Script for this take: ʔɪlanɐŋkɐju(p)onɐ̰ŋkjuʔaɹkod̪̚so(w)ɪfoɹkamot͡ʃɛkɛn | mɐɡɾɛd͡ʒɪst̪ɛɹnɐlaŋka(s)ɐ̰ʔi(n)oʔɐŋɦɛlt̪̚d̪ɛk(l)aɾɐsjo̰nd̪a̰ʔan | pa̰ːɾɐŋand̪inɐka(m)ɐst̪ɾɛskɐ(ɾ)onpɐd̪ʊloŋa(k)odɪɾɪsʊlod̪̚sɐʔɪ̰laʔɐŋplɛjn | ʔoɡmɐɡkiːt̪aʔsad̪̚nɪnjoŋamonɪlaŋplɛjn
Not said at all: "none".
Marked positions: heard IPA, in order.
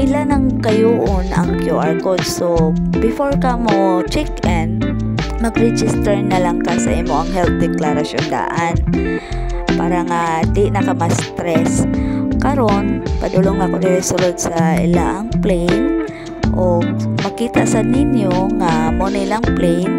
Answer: ʔ, b, s, m, l, m, ɾ, k

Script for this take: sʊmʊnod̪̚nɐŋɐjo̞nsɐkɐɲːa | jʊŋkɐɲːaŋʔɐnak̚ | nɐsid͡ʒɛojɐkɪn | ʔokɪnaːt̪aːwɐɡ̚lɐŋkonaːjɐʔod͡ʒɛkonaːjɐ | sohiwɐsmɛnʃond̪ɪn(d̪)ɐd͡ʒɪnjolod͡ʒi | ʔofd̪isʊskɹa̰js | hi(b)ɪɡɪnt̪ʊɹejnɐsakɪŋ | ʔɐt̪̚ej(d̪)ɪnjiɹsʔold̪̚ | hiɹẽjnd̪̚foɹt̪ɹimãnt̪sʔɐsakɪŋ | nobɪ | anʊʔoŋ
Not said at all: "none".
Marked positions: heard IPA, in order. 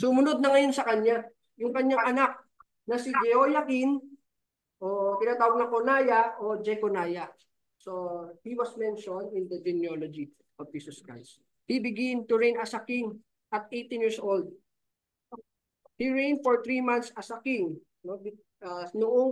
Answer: d̪, b, t̪

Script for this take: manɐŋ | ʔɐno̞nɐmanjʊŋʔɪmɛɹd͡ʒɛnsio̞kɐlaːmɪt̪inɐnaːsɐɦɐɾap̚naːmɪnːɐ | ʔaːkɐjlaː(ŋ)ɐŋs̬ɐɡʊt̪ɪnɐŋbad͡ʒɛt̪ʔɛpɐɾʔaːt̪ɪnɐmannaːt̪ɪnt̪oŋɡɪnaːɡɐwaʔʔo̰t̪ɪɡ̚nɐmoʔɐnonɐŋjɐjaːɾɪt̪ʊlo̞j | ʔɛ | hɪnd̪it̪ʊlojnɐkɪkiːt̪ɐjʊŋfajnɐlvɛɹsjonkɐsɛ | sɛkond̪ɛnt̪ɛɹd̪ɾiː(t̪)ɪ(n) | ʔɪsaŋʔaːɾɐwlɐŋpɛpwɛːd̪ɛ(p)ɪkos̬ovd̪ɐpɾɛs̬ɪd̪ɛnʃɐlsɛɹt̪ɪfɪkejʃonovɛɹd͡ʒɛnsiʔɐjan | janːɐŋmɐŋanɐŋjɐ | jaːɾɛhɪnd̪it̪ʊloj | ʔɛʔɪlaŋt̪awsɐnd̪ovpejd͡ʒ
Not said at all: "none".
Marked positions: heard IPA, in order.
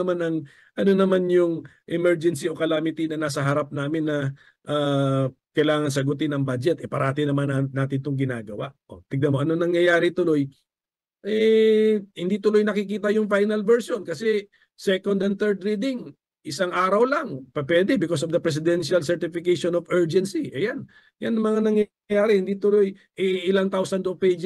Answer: ŋ, d̪, ŋ, b

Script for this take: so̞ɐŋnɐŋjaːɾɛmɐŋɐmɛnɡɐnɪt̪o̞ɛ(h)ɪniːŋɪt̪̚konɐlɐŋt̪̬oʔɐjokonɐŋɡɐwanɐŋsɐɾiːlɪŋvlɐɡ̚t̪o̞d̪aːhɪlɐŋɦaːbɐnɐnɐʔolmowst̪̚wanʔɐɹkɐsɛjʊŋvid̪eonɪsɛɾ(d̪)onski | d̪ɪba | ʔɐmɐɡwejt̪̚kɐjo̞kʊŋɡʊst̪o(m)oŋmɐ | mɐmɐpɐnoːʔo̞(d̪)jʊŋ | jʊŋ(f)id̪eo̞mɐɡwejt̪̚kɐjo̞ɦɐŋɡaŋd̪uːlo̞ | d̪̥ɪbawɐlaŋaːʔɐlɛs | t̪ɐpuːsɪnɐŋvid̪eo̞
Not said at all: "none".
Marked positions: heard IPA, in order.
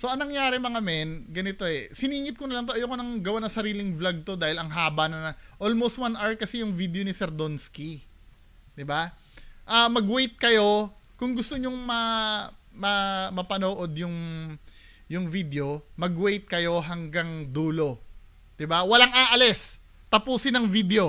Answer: s, d̪, ɲ, d̪, v

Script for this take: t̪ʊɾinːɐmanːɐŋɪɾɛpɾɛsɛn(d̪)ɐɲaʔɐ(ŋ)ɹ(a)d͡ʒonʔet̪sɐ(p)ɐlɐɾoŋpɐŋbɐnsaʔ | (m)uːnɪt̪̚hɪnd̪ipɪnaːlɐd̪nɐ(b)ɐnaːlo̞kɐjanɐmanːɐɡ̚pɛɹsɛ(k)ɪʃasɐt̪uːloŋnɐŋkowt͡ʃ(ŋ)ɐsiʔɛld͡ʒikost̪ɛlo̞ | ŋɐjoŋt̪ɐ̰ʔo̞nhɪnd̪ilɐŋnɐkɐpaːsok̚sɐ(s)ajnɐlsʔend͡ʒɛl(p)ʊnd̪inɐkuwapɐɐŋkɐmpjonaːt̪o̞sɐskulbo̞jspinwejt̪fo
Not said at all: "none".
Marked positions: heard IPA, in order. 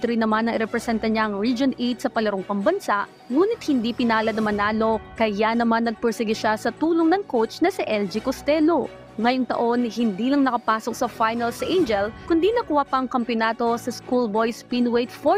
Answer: t̪, ŋ, i, p, ŋ, m, ɡ, n, f, k

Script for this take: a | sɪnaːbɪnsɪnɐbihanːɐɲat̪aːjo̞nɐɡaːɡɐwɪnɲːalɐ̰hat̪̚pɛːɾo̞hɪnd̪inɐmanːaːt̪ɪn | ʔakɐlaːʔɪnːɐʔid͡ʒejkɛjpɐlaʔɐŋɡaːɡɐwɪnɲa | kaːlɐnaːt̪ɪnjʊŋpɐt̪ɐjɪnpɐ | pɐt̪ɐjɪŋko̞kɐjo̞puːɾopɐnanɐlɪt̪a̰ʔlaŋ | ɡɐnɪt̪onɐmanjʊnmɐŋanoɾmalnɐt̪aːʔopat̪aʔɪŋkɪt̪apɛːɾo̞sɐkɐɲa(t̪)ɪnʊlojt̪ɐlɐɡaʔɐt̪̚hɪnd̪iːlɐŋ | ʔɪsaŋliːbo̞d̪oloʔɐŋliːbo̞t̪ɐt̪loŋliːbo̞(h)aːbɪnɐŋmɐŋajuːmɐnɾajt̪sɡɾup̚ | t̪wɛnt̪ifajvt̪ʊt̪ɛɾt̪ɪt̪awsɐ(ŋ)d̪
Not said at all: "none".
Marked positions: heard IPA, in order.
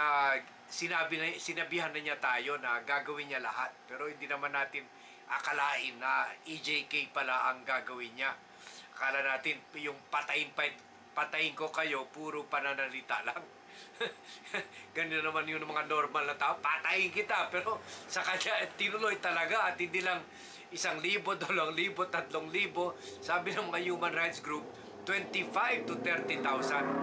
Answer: t̪, s, n

